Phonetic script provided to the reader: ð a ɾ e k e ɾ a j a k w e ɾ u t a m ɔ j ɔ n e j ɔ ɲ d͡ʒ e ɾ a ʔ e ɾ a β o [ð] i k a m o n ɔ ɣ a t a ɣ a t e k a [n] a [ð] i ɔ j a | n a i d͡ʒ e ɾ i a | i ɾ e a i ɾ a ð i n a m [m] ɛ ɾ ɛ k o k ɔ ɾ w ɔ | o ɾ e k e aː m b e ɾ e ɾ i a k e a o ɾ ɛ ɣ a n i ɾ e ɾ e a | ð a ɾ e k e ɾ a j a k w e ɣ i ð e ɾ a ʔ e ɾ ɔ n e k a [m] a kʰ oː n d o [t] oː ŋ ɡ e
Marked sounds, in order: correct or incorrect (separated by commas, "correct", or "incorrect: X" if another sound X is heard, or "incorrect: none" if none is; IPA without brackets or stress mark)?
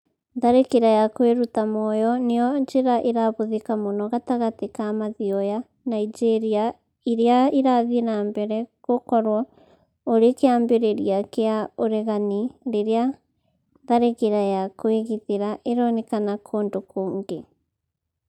correct, incorrect: m, correct, incorrect: b, incorrect: n, incorrect: k